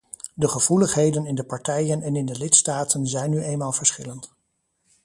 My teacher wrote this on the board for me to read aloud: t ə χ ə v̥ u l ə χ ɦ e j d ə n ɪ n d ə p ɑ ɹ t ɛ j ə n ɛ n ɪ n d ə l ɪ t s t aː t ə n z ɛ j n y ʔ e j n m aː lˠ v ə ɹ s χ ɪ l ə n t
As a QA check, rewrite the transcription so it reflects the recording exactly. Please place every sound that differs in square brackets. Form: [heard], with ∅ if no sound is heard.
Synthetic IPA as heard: [d] ə χ ə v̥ u l ə χ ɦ e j d ə n ɪ n d ə p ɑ ɹ t ɛ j ə n ɛ n ɪ n d ə l ɪ t s t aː t ə n z ɛ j n y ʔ e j n m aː lˠ v ə ɹ s χ ɪ l ə n t